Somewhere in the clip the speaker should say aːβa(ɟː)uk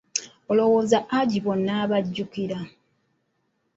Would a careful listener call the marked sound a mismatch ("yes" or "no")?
no